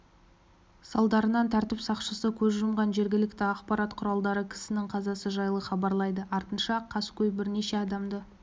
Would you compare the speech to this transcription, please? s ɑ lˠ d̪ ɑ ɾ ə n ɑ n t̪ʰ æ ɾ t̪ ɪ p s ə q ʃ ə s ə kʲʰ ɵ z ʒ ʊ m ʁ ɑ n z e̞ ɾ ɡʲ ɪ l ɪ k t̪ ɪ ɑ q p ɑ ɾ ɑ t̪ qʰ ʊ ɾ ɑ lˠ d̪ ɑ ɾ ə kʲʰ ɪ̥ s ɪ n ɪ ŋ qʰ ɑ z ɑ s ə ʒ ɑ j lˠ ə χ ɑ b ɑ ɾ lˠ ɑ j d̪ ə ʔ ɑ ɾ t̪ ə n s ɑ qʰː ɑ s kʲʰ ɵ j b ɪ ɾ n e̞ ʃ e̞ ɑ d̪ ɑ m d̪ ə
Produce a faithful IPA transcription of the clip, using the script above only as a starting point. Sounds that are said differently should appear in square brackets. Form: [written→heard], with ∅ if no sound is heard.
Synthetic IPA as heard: s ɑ lˠ d̪ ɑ ɾ ə n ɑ n t̪ʰ æ ɾ t̪ ɪ p s [ə→ɑ] q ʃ ə s ə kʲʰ ɵ z ʒ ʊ m ʁ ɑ n [z→ʒ] e̞ ɾ ɡʲ ɪ l ɪ k t̪ ɪ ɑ q p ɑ ɾ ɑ t̪ qʰ ʊ ɾ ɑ lˠ d̪ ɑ ɾ ə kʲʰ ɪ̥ s ɪ n ɪ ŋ qʰ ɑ z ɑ s ə ʒ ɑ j lˠ ə χ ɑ b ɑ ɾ lˠ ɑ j d̪ ə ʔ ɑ ɾ t̪ ə n [s→ʃ] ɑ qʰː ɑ s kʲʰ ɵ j b ɪ ɾ n e̞ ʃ e̞ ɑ d̪ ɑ m d̪ ə

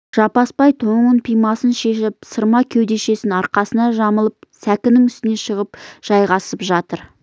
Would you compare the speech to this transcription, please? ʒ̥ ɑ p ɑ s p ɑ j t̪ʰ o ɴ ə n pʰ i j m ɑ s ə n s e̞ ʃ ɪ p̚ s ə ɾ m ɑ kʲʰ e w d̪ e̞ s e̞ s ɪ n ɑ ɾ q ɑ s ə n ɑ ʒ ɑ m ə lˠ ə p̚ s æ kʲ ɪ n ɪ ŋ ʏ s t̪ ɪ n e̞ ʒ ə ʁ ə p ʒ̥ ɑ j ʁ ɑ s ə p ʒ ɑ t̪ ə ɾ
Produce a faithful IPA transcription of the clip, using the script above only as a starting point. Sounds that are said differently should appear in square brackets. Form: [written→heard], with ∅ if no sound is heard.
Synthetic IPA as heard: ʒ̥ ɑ p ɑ s p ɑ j t̪ʰ o ɴ ə n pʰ i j m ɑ s ə n [s→ʃ] e̞ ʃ ɪ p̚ s ə ɾ m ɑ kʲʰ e w d̪ e̞ [s→ʃ] e̞ s ɪ n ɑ ɾ q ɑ s ə n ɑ ʒ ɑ m ə lˠ ə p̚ s æ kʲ ɪ n ɪ ŋ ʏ s t̪ ɪ n e̞ [ʒ→ʃ] ə ʁ ə p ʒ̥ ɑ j ʁ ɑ s ə p ʒ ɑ t̪ ə ɾ

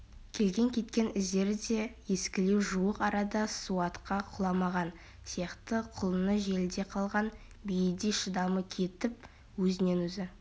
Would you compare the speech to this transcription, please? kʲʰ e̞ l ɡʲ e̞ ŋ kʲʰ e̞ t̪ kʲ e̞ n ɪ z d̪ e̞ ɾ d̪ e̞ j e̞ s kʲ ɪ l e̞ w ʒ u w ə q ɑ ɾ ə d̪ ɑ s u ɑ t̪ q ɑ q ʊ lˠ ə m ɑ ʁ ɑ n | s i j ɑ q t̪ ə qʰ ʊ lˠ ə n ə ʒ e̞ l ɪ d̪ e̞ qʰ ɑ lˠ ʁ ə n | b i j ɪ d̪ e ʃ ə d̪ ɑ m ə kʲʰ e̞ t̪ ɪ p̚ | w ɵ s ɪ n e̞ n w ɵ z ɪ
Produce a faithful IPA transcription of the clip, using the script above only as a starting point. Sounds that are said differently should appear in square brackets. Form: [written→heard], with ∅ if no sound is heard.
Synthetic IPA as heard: kʲʰ e̞ l ɡʲ e̞ ŋ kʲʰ e̞ t̪ kʲ e̞ n ɪ z d̪ e̞ ɾ d̪ e̞ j e̞ s kʲ ɪ l e̞ w ʒ u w ə q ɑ ɾ [ə→ɑ] d̪ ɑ s u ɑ t̪ q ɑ [q→qʰ] ʊ lˠ [ə→ɑ] m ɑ ʁ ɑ n | s i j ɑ q t̪ ə qʰ ʊ lˠ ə n ə ʒ e̞ l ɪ d̪ e̞ qʰ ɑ lˠ ʁ [ə→ɑ] n | b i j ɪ d̪ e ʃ ə d̪ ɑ m ə kʲʰ e̞ t̪ ɪ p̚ | w ɵ [s→z] ɪ n e̞ n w ɵ z ɪ

